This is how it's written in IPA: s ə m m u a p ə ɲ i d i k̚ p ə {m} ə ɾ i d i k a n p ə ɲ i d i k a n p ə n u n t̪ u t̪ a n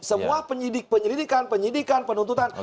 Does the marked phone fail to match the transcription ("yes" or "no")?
yes